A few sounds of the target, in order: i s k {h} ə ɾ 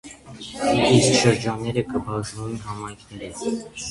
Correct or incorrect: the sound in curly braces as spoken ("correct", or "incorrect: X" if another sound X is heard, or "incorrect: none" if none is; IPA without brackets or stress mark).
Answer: incorrect: ʃ